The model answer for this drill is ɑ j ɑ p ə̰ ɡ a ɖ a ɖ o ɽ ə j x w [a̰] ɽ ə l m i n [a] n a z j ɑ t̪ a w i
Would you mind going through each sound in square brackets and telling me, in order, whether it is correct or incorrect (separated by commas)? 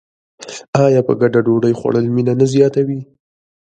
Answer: correct, correct